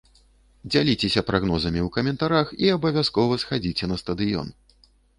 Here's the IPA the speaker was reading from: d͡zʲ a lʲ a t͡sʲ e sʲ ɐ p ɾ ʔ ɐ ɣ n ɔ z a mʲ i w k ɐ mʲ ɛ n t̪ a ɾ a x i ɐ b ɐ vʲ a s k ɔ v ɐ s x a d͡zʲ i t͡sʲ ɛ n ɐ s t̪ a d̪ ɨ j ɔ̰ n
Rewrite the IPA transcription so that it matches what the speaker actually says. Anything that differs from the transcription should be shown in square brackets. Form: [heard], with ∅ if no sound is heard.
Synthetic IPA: d͡zʲ a lʲ [i] t͡sʲ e sʲ ɐ p ɾ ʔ [a] ɣ n ɔ z [ɐ] mʲ i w k ɐ mʲ ɛ n t̪ a ɾ a x i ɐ b ɐ vʲ a s k ɔ v ɐ s x a d͡zʲ i t͡sʲ ɛ n ɐ s t̪ [ɐ] d̪ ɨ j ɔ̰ n